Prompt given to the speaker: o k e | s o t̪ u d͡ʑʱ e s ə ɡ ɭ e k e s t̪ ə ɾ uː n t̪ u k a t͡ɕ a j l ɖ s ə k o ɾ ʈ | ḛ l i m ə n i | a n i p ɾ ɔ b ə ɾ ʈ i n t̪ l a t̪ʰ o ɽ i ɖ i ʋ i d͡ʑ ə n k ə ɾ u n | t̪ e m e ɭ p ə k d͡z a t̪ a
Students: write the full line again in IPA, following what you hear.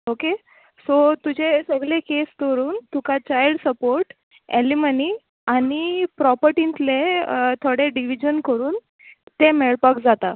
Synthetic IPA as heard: o k e | s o t̪ u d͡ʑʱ e s ə ɡ ɭ e k e s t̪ ə ɾ uː n t̪ u k a t͡ɕ a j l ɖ s ə p o ɾ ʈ | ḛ l i m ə n i | a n i p ɾ ɔ p ə ɾ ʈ i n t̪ l e t̪ʰ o ɽ e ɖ i ʋ i d͡ʑ ə n k ə ɾ uː n | t̪ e m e ɭ p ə k d͡z a t̪ a